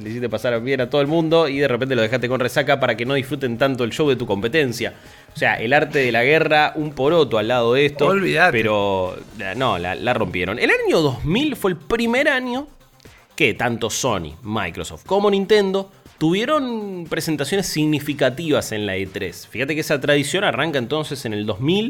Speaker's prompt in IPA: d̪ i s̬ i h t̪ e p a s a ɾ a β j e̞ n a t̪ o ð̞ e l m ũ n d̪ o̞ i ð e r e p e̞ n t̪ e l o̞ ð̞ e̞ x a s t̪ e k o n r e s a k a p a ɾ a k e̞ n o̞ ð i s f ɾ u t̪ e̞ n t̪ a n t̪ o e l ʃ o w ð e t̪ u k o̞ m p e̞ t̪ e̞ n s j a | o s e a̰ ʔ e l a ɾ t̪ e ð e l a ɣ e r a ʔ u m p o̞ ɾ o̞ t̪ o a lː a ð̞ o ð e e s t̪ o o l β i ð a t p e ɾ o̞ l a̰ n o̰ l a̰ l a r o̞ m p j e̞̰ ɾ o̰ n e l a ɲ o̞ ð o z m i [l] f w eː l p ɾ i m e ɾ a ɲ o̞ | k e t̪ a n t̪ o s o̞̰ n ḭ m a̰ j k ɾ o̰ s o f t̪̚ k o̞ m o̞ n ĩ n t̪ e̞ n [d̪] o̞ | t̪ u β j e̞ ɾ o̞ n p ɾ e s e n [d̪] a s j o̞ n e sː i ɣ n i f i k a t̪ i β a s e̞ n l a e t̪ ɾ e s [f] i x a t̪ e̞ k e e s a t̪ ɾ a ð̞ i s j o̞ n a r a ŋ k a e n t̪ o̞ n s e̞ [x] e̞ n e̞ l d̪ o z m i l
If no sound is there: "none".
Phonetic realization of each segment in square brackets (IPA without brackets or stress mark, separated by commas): l, d̪, t̪, f, s